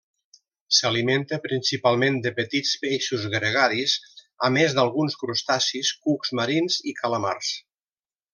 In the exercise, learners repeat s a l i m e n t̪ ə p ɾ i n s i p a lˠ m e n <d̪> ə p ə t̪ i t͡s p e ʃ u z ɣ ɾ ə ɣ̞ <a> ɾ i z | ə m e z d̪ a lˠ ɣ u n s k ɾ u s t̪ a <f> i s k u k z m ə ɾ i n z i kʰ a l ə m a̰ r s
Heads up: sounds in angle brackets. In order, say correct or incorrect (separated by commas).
correct, correct, incorrect